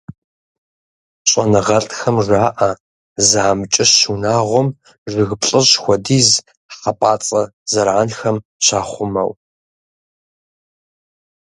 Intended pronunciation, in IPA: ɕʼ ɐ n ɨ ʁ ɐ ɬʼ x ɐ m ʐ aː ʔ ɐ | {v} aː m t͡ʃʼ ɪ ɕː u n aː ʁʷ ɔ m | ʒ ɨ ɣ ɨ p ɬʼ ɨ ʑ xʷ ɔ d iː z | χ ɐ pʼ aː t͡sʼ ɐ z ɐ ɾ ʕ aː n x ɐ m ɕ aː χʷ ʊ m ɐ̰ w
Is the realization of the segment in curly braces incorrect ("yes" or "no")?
yes